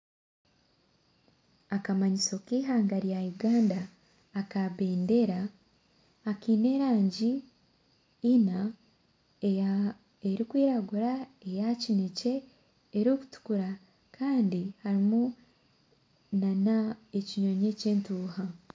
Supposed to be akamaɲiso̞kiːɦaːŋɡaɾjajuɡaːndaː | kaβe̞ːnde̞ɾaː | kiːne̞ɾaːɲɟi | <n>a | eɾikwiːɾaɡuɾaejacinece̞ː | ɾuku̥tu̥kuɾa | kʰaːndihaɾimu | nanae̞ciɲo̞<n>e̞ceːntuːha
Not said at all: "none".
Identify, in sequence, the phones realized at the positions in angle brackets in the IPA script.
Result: n, ɲ

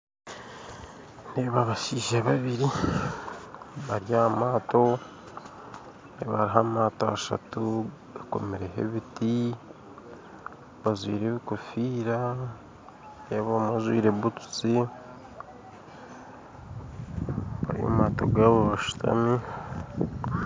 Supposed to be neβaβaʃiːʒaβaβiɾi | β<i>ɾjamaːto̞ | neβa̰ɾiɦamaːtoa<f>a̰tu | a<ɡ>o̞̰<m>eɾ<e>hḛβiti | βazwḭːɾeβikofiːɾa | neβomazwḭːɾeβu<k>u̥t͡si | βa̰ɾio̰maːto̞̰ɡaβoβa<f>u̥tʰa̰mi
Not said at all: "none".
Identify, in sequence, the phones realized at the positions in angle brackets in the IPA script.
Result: a, ʃ, k, m, e, t, ʃ

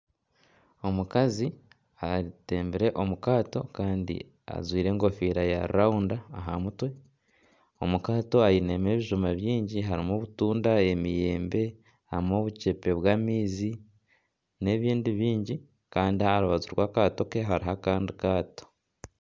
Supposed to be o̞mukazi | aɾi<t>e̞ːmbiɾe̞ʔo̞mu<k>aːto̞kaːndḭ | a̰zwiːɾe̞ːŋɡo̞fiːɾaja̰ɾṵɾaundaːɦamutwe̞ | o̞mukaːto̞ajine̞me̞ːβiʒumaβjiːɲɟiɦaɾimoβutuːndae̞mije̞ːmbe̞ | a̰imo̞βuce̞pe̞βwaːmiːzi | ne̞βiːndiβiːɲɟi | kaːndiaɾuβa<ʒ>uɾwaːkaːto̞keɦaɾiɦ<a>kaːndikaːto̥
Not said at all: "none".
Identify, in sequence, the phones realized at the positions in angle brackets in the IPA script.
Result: t, k, z, a

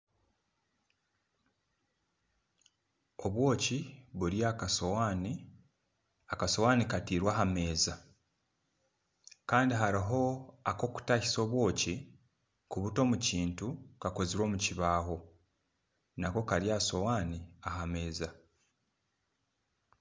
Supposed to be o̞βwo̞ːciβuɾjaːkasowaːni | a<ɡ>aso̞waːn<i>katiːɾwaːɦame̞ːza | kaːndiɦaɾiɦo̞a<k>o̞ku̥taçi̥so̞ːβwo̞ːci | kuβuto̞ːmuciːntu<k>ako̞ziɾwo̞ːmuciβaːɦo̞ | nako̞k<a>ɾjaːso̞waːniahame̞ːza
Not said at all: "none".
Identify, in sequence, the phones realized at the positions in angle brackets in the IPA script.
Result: k, i, k, k, a

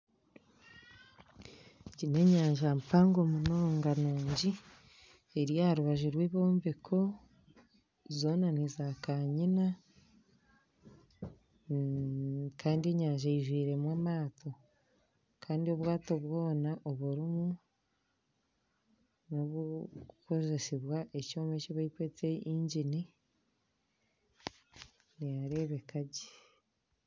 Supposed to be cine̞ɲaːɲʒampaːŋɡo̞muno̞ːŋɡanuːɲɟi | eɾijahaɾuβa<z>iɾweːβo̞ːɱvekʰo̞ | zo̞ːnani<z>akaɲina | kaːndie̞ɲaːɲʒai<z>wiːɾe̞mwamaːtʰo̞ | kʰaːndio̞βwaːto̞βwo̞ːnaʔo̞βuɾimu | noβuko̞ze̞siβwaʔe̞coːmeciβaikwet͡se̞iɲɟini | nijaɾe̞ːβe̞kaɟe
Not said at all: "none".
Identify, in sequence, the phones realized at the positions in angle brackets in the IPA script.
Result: ʒ, z, ʒ

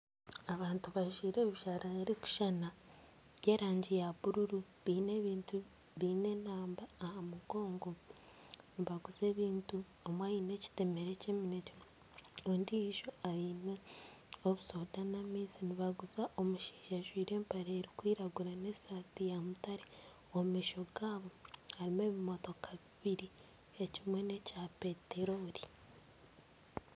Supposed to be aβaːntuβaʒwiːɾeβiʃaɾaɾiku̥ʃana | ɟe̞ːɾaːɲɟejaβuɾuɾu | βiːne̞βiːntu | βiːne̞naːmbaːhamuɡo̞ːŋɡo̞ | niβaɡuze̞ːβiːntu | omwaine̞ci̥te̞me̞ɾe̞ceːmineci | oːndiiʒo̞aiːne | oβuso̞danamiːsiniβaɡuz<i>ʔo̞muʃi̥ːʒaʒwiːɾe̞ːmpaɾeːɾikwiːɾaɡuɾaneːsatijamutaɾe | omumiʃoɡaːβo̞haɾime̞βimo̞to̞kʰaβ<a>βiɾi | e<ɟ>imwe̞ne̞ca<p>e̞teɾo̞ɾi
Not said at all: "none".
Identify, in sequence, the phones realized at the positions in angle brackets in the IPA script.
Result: a, i, c, p

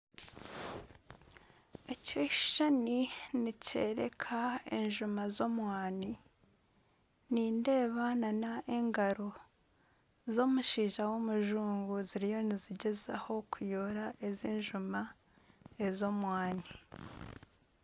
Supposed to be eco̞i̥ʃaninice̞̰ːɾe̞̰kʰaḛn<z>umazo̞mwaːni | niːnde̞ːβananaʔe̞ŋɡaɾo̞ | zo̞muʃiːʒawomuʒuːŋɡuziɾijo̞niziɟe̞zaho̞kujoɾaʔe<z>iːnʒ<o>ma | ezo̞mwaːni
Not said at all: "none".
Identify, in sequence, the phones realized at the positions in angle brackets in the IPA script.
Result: ʒ, z, u

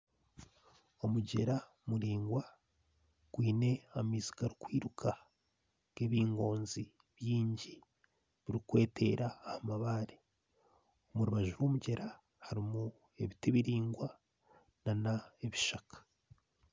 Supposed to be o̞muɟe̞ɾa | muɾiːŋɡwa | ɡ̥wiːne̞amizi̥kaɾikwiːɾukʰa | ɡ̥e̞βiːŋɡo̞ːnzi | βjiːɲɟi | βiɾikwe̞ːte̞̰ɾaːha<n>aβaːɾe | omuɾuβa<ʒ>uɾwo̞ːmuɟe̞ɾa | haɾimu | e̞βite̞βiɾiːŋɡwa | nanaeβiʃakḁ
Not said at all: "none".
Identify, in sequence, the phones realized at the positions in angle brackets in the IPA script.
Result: m, ʒ

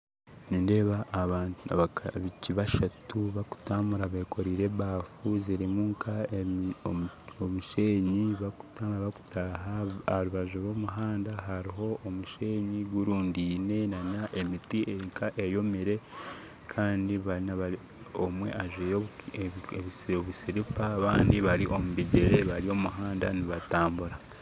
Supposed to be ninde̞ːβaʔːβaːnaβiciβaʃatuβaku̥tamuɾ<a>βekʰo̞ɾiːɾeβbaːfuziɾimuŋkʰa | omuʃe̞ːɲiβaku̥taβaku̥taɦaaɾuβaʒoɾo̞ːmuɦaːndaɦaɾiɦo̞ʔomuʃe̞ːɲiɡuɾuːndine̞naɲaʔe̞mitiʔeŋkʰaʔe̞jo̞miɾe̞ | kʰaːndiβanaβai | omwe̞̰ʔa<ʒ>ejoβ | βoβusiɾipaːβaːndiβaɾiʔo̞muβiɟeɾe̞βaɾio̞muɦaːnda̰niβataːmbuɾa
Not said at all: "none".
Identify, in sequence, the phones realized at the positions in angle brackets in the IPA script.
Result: a, ʒ

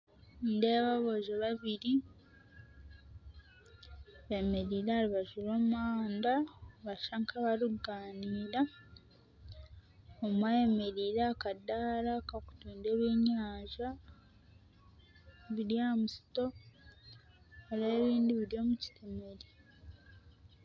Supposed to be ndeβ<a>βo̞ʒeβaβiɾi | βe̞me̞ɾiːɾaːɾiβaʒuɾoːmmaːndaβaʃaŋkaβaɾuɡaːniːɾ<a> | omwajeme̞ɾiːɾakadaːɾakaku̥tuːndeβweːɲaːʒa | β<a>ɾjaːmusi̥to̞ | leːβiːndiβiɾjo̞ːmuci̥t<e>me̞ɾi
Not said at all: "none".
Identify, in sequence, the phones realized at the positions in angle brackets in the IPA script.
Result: a, a, i, e

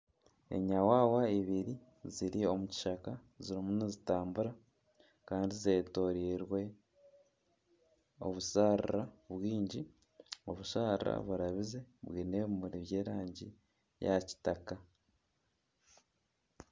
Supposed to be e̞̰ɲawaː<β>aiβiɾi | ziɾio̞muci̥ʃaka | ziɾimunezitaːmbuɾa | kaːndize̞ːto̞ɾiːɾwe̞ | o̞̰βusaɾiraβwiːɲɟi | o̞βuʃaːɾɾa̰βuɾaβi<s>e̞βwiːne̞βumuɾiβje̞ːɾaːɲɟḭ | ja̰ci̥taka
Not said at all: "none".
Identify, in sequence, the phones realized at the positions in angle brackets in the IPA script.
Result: w, z

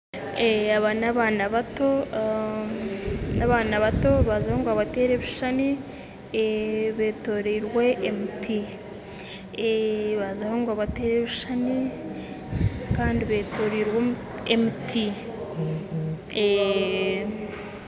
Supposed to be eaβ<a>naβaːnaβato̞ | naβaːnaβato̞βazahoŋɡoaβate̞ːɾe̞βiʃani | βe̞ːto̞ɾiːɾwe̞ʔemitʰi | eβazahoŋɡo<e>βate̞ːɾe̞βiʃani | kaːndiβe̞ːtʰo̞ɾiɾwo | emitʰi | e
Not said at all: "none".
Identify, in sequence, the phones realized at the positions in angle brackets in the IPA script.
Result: a, a

